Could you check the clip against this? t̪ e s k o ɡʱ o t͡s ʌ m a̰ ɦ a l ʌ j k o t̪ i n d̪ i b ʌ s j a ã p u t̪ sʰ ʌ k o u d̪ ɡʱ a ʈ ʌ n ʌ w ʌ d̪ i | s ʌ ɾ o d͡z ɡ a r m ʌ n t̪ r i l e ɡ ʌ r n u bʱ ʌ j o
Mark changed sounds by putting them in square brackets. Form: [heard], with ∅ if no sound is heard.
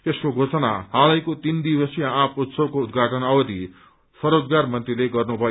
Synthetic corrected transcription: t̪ e s k o ɡʱ o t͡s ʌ [n] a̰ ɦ a l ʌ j k o t̪ i n d̪ i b ʌ s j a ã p u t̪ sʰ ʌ k o u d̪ ɡʱ a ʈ ʌ n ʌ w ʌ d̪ i | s ʌ ɾ o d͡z ɡ a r m ʌ n t̪ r i l e ɡ ʌ r n u bʱ ʌ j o

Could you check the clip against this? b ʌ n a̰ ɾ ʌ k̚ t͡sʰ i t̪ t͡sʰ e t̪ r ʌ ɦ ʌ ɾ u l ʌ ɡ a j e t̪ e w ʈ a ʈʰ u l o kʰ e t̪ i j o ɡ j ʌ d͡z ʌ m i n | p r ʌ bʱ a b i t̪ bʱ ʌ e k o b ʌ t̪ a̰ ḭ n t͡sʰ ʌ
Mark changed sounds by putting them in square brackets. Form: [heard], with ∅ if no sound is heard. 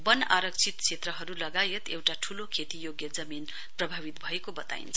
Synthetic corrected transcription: b ʌ n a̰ ɾ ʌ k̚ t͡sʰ i t̪ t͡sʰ e t̪ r ʌ ɦ ʌ ɾ u l ʌ ɡ a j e t̪ e w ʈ a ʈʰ u l o kʰ e t̪ i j o ɡ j ʌ d͡z ʌ m i n | p r ʌ bʱ a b i t̪ bʱ ʌ e k o b ʌ t̪ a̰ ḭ n t͡sʰ ʌ

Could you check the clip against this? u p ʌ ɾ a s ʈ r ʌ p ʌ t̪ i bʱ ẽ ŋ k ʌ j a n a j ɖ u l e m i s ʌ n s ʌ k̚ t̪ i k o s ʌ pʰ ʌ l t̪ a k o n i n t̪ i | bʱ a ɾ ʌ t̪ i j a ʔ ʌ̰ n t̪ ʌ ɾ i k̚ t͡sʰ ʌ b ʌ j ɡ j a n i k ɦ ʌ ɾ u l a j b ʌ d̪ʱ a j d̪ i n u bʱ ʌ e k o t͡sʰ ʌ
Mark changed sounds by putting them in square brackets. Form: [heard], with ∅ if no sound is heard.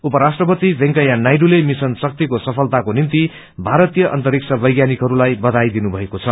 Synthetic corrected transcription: u p ʌ ɾ a s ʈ r ʌ p ʌ t̪ i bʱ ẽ ŋ k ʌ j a n a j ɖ u l e m i s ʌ n s ʌ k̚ t̪ i k o s ʌ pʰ ʌ l t̪ a k o n i n t̪ i | bʱ a ɾ ʌ t̪ i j [ʌ] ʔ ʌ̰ n t̪ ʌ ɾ i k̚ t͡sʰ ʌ b ʌ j ɡ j a n i k ɦ ʌ ɾ u l a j b ʌ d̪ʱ a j d̪ i n u bʱ ʌ e k o t͡sʰ ʌ

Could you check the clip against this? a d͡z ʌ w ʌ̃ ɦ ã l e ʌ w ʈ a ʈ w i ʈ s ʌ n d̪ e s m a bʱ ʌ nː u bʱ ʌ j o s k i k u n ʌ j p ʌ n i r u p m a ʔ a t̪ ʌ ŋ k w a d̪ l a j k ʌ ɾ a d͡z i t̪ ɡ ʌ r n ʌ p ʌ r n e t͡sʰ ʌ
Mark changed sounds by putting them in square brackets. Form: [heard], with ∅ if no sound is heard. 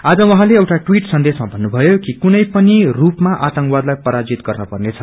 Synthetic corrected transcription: a d͡z ʌ w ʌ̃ ɦ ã l e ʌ w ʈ a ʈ w i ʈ s ʌ n d̪ e s m a bʱ ʌ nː u bʱ ʌ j o [∅] k i k u n ʌ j p ʌ n i r u p m a ʔ a t̪ ʌ ŋ k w a d̪ l a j [p] ʌ ɾ a d͡z i t̪ ɡ ʌ r n ʌ p ʌ r n e t͡sʰ ʌ

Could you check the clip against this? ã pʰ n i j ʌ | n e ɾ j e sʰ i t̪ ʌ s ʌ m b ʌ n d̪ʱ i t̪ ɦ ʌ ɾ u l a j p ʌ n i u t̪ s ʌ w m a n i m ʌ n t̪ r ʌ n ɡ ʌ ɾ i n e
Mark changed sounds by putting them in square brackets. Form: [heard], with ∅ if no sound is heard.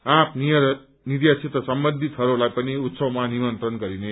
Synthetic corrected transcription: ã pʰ n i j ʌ | n [i] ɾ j [a] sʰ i t̪ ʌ s ʌ m b ʌ n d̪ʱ i t̪ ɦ ʌ ɾ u l a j p ʌ n i u t̪ s ʌ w m a n i m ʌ n t̪ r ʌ n ɡ ʌ ɾ i n e

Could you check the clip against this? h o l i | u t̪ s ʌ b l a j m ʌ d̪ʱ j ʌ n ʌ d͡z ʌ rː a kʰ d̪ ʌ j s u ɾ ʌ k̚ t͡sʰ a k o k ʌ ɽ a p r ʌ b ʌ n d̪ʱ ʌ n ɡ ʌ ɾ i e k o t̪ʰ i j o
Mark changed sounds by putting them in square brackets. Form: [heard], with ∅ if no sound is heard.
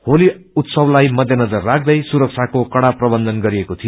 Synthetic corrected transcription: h o l i | u t̪ s ʌ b l a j m ʌ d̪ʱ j ʌ n ʌ d͡z ʌ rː a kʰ d̪ ʌ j s u ɾ ʌ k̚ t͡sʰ a k o k ʌ ɽ a p r ʌ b ʌ n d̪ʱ ʌ n ɡ ʌ ɾ i e k o t̪ʰ i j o

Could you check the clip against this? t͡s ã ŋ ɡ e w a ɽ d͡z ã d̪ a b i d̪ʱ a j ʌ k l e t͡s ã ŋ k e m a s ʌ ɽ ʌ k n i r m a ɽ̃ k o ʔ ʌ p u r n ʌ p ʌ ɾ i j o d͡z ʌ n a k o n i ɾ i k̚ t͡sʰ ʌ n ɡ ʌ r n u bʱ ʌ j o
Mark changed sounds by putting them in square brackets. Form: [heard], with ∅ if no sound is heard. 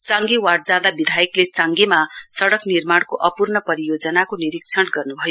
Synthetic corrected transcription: t͡s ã ŋ ɡ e w a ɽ d͡z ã d̪ a b i d̪ʱ a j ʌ k l e t͡s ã ŋ [ɡ] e m a s ʌ ɽ ʌ k n i r m a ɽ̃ k o ʔ ʌ p u r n ʌ p ʌ ɾ i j o d͡z ʌ n a k o n i ɾ i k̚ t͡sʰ ʌ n ɡ ʌ r n u bʱ ʌ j o

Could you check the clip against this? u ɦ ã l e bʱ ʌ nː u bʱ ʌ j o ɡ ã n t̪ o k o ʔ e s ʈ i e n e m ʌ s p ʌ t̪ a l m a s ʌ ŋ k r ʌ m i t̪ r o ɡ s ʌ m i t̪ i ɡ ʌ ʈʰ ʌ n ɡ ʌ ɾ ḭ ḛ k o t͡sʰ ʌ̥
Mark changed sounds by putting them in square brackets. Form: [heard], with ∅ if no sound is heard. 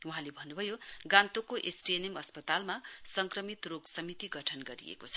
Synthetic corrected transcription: u ɦ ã l e bʱ ʌ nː u bʱ ʌ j o ɡ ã n t̪ o k o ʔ e s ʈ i e n e m ʌ s p ʌ t̪ a l m a s ʌ ŋ k r ʌ m i t̪ r o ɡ s ʌ m i t̪ i ɡ ʌ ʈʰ ʌ n ɡ ʌ ɾ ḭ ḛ k o t͡sʰ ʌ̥

